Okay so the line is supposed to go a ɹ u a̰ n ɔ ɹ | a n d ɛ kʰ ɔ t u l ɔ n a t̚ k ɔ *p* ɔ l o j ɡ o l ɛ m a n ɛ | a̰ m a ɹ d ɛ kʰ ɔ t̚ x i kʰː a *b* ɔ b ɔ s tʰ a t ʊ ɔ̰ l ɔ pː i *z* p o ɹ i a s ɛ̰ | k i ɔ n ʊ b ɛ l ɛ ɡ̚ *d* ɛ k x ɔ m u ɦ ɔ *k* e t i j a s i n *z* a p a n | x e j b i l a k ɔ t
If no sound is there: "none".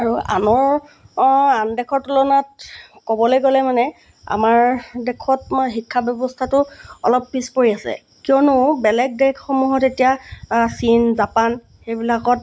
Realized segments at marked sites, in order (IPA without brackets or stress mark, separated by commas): b, b, s, d, t, z